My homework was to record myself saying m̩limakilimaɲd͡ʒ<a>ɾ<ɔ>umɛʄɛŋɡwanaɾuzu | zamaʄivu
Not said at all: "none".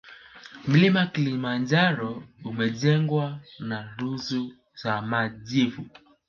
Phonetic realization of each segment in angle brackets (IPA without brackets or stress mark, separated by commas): a, ɔ